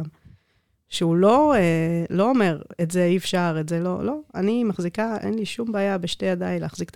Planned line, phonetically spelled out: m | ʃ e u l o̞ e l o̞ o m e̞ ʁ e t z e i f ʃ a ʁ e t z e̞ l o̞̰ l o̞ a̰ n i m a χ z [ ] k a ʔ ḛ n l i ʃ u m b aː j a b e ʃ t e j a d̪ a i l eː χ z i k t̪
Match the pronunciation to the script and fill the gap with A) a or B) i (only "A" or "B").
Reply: B